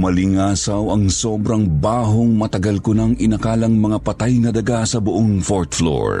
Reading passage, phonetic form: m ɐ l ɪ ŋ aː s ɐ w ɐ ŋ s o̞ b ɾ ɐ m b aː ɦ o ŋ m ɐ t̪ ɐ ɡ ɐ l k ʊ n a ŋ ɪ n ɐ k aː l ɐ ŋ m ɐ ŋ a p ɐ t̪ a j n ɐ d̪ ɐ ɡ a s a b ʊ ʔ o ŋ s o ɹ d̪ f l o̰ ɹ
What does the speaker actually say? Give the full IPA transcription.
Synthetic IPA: m ɐ l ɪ ŋ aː s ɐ w ɐ ŋ s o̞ b ɾ ɐ ŋ b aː ɦ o ŋ m ɐ t̪ ɐ ɡ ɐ l k ʊ n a ŋ ɪ n ɐ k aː l ɐ ŋ m ɐ ŋ a p ɐ t̪ a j n ɐ d̪ ɐ ɡ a s ɐ b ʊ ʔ o ŋ f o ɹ t̪ f l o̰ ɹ